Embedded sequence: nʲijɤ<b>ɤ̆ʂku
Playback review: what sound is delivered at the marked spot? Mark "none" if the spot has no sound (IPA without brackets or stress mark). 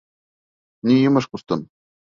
m